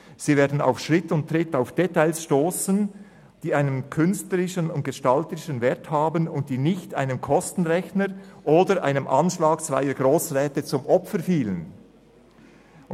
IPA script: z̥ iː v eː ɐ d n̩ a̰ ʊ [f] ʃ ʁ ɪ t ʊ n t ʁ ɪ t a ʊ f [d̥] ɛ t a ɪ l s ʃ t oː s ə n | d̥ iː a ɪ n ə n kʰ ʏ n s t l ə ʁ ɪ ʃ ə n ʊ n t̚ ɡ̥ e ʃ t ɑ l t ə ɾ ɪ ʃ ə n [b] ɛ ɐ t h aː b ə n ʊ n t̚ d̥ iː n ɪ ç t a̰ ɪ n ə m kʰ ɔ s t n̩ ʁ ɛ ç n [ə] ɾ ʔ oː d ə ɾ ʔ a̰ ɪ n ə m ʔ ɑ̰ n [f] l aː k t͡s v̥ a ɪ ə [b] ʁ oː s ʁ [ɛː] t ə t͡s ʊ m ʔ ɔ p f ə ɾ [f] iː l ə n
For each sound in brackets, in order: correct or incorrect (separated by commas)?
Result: correct, correct, incorrect, correct, incorrect, incorrect, correct, correct